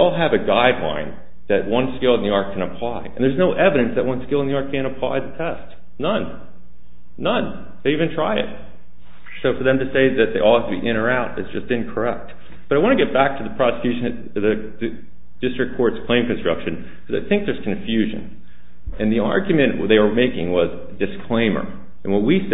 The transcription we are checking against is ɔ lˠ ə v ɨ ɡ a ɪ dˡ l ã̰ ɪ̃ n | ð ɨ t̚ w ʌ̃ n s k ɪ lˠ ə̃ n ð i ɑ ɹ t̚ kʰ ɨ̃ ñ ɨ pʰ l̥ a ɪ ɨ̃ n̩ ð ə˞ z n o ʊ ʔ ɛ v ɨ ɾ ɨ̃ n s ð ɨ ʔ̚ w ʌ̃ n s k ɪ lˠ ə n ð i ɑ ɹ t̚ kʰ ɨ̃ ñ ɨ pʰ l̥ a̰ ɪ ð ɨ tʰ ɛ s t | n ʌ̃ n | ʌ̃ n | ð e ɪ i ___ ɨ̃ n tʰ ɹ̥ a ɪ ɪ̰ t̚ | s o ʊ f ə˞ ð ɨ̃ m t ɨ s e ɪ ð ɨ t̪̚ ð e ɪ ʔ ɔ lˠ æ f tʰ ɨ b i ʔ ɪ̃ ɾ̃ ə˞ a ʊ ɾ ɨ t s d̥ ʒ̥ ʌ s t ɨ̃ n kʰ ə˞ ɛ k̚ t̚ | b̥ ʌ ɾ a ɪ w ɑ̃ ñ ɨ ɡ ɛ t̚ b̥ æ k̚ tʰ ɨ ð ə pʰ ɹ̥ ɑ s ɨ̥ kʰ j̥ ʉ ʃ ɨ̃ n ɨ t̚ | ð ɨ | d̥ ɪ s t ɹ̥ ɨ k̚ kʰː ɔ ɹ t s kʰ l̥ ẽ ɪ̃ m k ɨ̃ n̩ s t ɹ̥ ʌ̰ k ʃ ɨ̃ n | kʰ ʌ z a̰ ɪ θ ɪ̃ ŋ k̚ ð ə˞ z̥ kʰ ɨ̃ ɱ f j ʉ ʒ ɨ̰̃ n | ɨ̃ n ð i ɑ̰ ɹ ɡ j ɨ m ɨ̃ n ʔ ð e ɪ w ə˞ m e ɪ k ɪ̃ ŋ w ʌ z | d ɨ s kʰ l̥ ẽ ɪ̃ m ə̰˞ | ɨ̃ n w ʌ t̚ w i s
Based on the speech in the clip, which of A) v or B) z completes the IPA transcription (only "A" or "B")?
A